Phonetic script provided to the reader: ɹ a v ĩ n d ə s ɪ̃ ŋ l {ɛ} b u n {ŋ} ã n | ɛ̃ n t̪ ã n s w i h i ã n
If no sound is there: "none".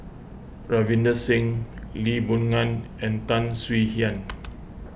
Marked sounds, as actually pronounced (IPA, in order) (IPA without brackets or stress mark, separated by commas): i, ŋ